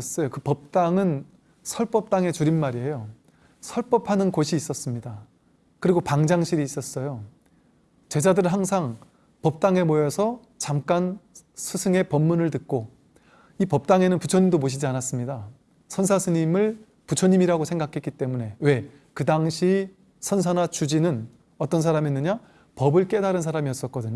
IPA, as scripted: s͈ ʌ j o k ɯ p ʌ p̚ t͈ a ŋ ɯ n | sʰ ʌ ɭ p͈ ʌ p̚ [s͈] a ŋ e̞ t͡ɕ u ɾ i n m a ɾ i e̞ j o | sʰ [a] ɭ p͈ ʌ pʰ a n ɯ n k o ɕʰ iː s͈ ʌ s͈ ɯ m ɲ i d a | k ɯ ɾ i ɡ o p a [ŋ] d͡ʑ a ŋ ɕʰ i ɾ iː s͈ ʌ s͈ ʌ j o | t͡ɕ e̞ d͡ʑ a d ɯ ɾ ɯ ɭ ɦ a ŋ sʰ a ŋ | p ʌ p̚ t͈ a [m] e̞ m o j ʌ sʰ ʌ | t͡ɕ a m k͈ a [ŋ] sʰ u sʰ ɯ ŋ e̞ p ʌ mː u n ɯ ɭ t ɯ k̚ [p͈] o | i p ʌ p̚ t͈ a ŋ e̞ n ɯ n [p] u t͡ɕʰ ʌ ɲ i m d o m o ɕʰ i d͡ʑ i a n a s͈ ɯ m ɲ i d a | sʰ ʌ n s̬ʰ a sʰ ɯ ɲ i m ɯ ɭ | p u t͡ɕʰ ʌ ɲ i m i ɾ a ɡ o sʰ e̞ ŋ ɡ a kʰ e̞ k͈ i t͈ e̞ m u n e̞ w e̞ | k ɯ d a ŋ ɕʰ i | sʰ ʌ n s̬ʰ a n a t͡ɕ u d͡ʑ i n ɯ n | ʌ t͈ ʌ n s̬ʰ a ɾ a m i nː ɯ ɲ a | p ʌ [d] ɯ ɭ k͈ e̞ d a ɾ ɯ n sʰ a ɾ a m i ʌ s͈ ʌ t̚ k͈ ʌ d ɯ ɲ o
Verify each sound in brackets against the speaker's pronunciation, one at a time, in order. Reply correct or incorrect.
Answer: incorrect: t͈, incorrect: ʌ, correct, incorrect: ŋ, incorrect: n, incorrect: k͈, correct, incorrect: b

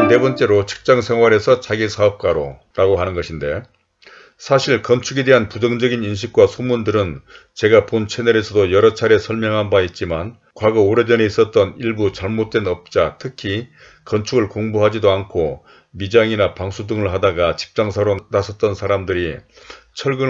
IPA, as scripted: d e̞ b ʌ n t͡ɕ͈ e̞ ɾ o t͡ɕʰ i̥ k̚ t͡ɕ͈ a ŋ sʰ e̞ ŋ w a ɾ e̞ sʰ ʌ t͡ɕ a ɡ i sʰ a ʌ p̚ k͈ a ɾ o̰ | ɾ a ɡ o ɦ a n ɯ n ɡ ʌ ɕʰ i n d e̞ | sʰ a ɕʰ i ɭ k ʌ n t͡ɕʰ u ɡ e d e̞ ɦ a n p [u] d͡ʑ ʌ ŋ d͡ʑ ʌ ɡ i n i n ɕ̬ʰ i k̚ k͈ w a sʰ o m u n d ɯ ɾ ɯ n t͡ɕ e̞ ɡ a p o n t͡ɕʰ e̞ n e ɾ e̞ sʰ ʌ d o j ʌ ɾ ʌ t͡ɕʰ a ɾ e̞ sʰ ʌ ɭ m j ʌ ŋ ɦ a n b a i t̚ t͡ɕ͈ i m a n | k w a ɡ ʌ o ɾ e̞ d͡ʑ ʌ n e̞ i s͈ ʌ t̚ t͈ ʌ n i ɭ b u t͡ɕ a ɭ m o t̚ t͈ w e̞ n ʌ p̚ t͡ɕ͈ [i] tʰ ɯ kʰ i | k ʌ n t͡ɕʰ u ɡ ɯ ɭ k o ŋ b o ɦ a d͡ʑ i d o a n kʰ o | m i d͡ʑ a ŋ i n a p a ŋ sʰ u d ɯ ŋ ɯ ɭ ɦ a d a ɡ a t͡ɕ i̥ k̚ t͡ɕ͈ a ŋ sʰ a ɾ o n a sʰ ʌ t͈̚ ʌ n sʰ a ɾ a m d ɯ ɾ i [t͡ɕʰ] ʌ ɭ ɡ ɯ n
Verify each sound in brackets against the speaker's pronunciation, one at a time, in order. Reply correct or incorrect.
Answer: correct, incorrect: a, correct

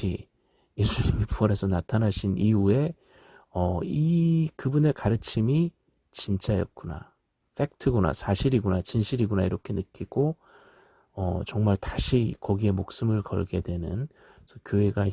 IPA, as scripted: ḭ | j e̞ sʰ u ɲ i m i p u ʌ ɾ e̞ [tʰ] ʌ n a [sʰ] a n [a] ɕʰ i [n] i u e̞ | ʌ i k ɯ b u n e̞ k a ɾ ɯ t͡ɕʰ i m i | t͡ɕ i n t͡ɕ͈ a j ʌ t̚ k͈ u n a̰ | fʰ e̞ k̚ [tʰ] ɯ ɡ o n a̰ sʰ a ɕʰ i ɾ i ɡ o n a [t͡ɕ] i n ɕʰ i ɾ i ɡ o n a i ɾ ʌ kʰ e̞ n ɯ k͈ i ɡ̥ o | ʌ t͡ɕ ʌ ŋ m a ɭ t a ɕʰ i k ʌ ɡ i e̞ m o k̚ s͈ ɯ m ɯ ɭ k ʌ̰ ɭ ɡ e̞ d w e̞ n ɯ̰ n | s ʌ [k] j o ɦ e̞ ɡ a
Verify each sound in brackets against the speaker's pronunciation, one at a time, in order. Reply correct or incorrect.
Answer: incorrect: sʰ, incorrect: tʰ, correct, correct, correct, correct, correct

